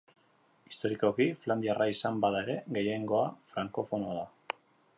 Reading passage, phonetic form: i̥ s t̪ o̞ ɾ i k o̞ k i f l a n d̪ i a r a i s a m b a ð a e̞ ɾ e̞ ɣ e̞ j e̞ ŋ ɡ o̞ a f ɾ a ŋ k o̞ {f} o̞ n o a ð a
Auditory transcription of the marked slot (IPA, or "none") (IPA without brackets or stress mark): f